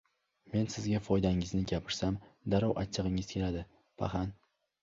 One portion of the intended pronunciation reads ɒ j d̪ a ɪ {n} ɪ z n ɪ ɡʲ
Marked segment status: incorrect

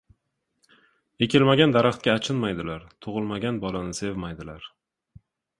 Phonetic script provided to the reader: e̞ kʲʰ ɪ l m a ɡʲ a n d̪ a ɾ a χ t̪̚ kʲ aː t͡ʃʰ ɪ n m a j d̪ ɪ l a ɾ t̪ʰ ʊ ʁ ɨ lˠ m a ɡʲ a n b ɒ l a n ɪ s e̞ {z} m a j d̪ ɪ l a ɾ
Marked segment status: incorrect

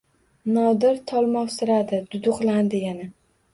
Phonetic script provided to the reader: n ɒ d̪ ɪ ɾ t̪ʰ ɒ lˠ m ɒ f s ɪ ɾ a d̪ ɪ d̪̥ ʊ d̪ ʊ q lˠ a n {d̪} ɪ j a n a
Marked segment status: correct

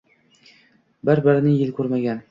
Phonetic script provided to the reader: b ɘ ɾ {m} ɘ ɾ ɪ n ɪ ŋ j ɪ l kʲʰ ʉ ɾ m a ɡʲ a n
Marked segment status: incorrect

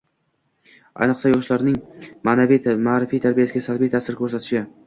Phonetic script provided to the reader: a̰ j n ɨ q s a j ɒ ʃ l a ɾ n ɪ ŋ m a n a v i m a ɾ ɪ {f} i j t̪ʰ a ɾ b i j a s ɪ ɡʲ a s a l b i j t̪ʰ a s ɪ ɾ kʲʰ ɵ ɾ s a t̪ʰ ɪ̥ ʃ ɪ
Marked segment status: correct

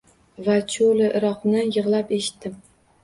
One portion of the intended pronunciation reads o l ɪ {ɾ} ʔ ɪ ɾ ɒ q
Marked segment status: incorrect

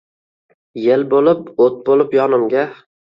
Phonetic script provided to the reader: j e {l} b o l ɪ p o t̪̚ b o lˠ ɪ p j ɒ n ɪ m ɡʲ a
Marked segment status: correct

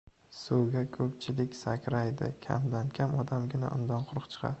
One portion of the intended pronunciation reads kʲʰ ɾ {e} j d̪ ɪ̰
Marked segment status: incorrect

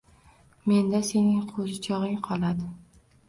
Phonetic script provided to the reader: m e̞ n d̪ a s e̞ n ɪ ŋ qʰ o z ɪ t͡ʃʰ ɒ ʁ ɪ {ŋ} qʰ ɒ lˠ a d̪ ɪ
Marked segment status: correct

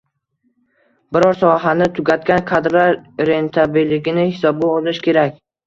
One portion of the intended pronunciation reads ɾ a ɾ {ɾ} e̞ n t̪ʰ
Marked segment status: correct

